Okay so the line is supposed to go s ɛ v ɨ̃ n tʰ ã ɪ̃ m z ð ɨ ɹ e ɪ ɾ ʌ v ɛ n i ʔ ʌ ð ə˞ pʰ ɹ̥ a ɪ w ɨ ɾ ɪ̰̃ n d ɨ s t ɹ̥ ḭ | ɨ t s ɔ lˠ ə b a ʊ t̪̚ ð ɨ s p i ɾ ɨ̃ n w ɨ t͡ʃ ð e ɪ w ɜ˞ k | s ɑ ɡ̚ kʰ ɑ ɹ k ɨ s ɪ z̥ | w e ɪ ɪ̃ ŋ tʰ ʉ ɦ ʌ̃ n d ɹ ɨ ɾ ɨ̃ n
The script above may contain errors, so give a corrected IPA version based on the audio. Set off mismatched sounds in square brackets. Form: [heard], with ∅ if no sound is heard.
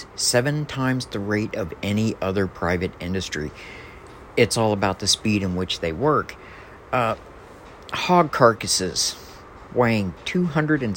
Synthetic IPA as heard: s ɛ v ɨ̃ n tʰ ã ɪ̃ m z ð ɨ ɹ e ɪ ɾ ʌ v ɛ n i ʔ ʌ ð ə˞ pʰ ɹ̥ a ɪ [v] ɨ ɾ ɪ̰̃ n d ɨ s t ɹ̥ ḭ | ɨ t s ɔ lˠ ə b a ʊ t̪̚ ð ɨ s p i ɾ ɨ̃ n w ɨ t͡ʃ ð e ɪ w ɜ˞ k | [h] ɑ ɡ̚ kʰ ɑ ɹ k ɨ s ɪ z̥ | w e ɪ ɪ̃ ŋ tʰ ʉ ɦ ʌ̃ n d ɹ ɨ ɾ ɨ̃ n